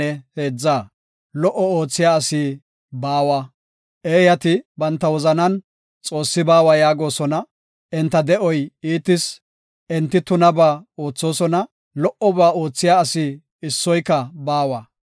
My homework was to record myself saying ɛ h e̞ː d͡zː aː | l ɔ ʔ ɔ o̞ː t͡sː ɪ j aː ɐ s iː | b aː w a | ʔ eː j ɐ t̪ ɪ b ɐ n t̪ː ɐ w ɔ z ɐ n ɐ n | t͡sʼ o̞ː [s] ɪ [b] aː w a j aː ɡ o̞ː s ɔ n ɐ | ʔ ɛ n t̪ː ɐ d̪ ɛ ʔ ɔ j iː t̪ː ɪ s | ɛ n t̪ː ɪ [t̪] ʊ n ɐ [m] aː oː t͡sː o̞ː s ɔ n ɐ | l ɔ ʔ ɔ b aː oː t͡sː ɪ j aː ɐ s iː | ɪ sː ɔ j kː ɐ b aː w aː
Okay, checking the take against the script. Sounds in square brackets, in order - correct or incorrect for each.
incorrect, correct, correct, incorrect

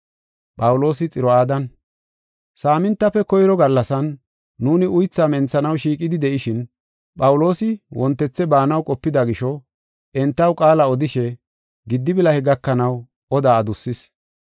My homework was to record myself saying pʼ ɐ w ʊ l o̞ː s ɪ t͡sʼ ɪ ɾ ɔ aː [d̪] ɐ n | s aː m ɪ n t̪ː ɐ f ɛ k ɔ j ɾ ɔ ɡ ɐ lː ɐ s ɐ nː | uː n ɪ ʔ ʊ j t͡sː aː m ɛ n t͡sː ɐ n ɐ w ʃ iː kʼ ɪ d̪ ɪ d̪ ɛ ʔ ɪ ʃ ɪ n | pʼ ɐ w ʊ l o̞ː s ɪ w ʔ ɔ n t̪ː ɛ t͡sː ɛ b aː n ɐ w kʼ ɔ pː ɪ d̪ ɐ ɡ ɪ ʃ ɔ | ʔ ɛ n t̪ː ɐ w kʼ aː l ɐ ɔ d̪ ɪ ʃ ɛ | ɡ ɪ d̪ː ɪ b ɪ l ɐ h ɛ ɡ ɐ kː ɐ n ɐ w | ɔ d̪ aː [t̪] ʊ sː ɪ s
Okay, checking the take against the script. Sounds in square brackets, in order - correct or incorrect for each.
correct, incorrect

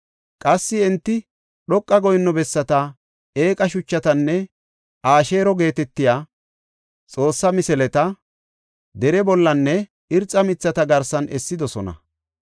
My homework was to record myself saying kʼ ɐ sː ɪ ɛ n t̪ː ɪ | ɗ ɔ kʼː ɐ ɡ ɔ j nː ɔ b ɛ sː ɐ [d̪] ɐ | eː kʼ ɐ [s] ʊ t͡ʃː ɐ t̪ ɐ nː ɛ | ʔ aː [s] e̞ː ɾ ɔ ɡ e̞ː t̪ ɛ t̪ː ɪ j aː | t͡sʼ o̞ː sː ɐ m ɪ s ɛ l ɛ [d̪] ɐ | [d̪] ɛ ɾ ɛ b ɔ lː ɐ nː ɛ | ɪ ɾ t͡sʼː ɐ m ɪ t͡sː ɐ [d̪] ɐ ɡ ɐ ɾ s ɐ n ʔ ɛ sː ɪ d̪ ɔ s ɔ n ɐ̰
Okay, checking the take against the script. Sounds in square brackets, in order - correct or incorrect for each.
incorrect, incorrect, incorrect, incorrect, correct, incorrect

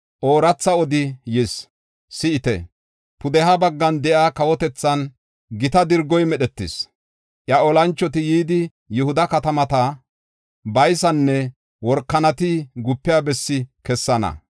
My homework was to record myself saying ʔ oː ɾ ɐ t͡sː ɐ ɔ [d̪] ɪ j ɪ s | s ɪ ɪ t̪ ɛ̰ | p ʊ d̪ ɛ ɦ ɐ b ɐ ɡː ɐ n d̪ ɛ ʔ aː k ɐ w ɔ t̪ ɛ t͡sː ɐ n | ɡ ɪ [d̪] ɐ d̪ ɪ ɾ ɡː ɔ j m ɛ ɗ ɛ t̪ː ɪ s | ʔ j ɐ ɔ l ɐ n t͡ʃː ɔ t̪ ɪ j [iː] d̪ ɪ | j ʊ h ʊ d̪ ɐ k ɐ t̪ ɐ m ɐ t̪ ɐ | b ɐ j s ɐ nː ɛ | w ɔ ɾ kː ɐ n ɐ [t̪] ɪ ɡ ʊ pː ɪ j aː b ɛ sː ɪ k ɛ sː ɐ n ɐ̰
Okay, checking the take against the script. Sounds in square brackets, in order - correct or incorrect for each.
correct, incorrect, correct, correct

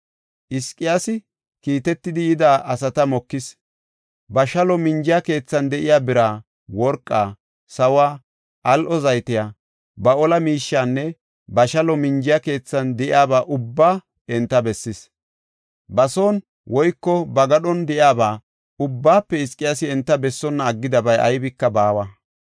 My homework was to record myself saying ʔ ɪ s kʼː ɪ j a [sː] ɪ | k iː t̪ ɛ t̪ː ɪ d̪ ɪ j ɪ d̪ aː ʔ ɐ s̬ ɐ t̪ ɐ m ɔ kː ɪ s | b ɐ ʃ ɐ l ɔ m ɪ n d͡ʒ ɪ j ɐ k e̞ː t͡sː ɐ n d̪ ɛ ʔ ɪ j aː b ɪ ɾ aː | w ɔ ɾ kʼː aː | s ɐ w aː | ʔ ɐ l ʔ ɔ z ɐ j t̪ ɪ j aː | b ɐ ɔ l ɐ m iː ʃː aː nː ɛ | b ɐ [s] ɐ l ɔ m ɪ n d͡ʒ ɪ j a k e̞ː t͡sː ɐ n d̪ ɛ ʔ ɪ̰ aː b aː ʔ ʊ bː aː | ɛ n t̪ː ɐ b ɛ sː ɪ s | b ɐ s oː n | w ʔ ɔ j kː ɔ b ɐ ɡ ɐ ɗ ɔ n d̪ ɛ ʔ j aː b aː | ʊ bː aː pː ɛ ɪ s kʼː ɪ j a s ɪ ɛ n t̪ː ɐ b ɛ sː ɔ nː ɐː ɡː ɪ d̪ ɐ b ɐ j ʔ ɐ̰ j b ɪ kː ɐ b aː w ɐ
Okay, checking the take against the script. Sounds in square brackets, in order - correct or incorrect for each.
incorrect, incorrect

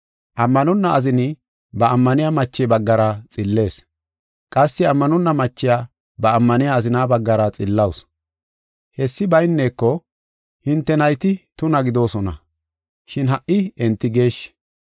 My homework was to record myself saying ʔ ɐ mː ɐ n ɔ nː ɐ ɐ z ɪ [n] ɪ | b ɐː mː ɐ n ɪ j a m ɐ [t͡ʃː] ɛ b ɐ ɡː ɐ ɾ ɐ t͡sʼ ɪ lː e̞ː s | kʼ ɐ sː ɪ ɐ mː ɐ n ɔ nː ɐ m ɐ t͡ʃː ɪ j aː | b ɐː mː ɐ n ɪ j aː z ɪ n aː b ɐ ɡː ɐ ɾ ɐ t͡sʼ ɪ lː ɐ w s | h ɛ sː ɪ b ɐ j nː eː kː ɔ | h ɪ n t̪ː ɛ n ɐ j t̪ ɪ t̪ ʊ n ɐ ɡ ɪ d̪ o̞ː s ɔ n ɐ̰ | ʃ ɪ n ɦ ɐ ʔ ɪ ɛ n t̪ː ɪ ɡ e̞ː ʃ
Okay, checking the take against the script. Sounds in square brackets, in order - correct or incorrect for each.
correct, correct

